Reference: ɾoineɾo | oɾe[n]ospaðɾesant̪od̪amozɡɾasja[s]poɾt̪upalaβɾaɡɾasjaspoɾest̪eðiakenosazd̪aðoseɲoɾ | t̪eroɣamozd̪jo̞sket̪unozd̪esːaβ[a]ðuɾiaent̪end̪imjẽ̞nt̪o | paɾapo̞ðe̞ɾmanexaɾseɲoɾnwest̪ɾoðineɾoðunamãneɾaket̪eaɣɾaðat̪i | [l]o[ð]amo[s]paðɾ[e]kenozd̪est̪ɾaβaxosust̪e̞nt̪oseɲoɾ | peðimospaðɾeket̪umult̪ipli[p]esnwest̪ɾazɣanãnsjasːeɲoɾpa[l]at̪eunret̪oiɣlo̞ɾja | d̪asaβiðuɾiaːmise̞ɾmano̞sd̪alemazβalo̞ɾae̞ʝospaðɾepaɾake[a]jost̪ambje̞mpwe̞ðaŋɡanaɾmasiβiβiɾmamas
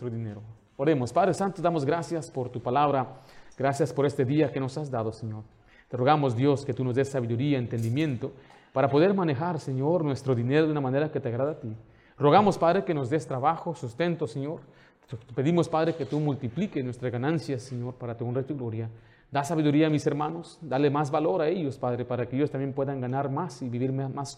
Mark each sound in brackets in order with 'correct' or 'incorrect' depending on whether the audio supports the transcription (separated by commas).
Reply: incorrect, correct, incorrect, incorrect, incorrect, correct, correct, incorrect, incorrect, incorrect